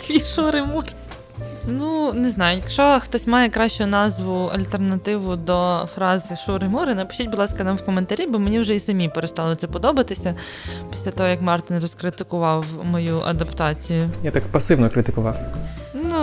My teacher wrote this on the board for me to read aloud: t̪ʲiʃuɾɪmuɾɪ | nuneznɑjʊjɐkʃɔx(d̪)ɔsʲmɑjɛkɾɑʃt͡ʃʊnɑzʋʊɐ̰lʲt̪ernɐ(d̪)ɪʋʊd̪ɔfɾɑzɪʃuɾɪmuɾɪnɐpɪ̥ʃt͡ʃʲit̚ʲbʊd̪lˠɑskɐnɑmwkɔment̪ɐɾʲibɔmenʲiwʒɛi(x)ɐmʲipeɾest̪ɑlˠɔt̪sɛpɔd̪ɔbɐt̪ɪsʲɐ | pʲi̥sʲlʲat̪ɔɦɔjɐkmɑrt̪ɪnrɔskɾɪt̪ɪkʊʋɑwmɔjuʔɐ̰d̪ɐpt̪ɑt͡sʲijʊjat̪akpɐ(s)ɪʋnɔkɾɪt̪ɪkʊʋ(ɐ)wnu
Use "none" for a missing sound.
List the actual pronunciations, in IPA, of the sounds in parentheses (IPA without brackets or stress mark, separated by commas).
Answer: t̪, t̪, s, s, ɑ